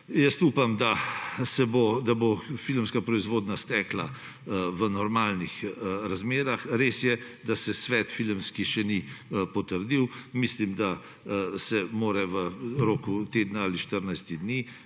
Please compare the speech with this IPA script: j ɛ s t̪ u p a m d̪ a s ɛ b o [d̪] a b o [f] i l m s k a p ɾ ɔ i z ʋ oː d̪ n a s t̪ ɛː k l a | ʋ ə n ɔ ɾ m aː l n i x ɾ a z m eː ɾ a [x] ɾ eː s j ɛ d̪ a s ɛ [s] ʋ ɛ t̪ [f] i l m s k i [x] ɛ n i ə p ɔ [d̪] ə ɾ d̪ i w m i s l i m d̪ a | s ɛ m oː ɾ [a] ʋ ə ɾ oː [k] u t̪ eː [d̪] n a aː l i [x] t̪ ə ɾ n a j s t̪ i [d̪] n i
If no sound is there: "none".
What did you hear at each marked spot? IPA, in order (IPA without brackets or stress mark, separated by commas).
d̪, f, x, s, f, ʃ, t̪, ɛ, k, d̪, ʃ, d̪